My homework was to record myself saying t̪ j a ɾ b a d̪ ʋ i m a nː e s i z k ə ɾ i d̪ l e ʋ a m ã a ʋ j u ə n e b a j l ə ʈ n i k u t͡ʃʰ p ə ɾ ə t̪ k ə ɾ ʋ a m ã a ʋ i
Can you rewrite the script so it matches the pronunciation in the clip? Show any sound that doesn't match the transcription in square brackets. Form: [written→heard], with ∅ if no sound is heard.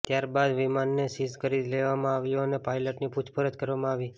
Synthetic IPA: t̪ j a ɾ b a d̪ ʋ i m a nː e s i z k ə ɾ i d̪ l e ʋ a m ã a ʋ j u ə n e [b→p] a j l ə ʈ n i [k→p] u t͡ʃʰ p ə ɾ ə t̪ k ə ɾ ʋ a m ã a ʋ i